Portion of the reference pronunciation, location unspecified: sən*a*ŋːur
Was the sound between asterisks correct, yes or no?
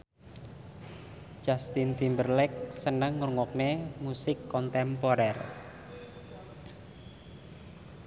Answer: no